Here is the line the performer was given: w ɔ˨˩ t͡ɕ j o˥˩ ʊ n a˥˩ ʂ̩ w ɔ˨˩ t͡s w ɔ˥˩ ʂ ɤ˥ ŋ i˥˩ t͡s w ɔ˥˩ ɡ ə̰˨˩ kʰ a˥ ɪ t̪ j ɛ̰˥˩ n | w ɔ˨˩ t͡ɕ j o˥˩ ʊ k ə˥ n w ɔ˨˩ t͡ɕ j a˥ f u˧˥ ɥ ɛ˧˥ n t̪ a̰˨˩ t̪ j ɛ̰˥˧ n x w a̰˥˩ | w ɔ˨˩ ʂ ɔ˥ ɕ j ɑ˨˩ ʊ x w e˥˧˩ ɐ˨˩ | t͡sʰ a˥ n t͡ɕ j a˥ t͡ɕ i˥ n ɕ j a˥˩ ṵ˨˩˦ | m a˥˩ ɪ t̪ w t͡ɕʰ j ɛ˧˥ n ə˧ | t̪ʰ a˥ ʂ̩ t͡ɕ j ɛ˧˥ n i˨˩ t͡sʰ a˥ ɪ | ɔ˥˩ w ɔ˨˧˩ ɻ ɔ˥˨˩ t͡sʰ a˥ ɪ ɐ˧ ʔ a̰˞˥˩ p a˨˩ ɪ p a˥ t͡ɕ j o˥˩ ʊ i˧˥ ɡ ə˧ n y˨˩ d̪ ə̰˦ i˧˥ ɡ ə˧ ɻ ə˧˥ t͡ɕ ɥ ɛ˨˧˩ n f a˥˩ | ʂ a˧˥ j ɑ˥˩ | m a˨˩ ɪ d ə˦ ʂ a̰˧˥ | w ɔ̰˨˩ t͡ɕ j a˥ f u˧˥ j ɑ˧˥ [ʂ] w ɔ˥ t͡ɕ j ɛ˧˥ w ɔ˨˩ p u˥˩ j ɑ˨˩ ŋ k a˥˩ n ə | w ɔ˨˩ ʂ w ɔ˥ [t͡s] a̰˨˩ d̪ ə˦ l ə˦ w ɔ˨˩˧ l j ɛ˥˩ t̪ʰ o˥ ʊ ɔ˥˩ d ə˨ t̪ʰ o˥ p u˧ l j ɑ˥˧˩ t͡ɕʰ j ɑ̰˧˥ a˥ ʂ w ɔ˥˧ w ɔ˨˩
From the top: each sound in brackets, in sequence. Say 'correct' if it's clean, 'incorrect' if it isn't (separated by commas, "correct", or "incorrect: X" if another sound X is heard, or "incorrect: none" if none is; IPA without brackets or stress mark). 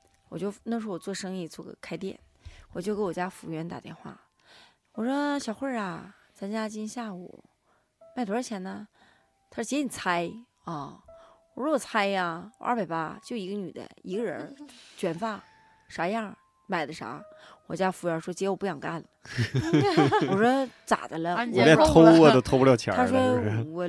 correct, correct